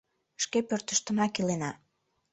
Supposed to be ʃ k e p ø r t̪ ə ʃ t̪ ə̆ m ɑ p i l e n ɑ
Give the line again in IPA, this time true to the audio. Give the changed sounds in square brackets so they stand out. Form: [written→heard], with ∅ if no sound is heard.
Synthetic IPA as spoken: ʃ k e p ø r t̪ ə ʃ t̪ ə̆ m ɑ [p→k] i l e n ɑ